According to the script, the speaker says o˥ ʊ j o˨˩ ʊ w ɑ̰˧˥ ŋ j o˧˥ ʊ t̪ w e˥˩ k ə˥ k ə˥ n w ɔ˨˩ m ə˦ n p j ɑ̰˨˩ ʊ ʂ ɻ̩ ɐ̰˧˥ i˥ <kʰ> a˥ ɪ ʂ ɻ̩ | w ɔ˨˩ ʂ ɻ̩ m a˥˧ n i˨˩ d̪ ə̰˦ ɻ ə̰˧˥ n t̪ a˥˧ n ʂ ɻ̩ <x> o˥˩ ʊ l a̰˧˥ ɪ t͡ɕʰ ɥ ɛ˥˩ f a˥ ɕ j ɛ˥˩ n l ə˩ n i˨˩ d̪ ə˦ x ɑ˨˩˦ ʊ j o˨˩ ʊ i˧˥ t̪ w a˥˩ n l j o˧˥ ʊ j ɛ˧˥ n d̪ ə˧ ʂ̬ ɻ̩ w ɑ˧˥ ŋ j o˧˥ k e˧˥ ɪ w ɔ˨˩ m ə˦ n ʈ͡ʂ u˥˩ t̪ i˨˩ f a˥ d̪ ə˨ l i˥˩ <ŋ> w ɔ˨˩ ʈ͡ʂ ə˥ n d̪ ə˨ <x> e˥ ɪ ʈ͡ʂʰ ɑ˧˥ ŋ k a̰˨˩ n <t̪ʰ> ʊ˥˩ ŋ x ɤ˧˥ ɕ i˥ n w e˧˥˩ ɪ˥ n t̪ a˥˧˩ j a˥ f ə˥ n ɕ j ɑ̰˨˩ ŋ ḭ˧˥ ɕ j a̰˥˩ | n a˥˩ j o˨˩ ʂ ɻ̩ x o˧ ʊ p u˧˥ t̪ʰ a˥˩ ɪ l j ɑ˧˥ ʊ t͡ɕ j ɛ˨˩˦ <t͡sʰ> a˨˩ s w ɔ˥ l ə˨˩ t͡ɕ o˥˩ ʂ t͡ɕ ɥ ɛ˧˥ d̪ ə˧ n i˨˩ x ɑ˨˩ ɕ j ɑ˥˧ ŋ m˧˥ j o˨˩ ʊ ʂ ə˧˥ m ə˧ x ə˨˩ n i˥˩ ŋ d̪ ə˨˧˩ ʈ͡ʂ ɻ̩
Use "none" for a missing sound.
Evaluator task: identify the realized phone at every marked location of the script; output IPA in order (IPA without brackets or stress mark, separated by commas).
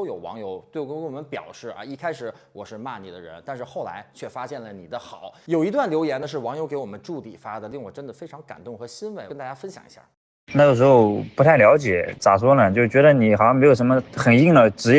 kʰ, x, ŋ, f, t̪, t͡s